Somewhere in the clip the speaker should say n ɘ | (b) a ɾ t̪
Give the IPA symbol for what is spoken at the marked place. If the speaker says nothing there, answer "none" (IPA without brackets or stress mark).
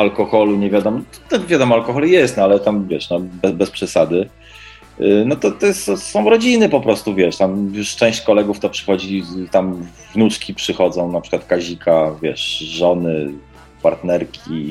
p